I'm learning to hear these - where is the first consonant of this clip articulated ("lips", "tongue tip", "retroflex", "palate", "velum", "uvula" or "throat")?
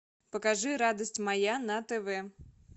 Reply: lips